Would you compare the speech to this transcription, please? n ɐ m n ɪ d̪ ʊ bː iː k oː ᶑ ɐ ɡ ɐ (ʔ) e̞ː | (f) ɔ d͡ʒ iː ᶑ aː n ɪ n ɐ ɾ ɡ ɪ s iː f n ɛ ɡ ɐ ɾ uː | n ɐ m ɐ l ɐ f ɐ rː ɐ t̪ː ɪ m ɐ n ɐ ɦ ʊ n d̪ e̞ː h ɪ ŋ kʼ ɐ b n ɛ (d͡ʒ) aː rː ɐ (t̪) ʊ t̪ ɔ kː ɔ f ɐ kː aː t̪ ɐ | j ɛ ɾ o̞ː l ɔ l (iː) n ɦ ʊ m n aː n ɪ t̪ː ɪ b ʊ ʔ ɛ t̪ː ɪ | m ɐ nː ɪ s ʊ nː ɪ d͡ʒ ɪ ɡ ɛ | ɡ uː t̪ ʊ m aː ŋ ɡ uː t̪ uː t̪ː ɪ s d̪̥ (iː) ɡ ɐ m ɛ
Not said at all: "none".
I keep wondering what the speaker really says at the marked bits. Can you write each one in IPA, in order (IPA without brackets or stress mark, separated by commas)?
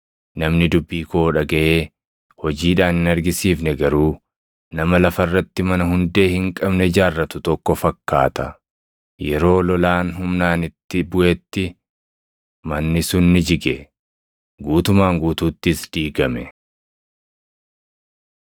ʔ, h, d͡ʒ, t̪, aː, iː